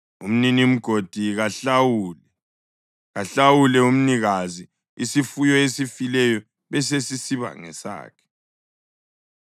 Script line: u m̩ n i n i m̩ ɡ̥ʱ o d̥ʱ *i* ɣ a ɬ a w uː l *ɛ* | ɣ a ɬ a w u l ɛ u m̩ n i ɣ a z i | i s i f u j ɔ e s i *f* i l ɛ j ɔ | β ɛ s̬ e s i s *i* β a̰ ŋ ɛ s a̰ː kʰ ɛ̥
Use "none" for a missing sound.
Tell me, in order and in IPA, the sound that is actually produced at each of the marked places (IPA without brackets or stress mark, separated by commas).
i, ɛ, f, i